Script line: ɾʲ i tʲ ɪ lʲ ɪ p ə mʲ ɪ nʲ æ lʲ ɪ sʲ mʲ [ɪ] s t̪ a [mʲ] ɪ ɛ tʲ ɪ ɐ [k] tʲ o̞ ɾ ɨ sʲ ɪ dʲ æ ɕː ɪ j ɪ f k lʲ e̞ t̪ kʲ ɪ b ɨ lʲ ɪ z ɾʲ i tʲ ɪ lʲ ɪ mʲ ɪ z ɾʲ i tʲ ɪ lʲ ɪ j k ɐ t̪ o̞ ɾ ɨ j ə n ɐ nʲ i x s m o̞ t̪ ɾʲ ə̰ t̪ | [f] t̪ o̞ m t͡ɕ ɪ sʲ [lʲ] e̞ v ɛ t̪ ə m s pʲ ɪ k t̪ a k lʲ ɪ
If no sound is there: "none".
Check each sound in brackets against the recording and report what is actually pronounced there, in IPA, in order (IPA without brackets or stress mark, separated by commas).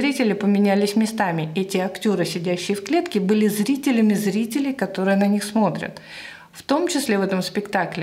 ɪ, mʲ, k, f, lʲ